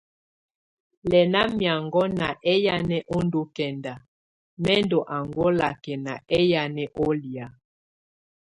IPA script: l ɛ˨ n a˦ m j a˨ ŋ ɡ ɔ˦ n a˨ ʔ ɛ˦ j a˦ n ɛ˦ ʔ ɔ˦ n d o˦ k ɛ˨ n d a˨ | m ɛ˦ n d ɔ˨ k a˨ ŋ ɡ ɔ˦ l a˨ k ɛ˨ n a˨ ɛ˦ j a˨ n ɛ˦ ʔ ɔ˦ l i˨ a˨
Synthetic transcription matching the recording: l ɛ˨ n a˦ m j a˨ ŋ ɡ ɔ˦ n a˨ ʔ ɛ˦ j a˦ n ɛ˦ ʔ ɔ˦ n d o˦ k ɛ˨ n d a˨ | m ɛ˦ n d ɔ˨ ʔ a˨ ŋ ɡ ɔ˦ l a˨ k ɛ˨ n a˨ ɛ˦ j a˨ n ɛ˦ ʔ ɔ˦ l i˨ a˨